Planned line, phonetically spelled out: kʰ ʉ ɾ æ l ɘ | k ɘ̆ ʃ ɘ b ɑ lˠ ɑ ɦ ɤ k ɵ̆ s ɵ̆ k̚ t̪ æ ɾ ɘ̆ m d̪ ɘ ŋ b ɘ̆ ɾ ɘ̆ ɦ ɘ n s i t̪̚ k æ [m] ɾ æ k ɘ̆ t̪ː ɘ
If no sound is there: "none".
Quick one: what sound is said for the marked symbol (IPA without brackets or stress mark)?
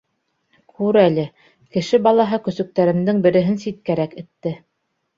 none